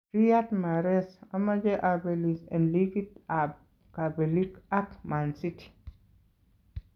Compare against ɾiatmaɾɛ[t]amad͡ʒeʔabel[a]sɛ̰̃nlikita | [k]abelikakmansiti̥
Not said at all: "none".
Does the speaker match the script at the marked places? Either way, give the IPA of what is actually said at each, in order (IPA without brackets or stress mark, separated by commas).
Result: s, i, k